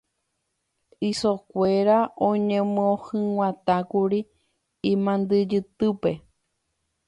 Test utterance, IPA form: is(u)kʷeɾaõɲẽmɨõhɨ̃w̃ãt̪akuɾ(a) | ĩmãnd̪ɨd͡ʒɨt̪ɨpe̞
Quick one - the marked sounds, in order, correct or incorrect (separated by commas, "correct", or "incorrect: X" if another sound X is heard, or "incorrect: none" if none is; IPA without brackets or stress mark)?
incorrect: o, incorrect: i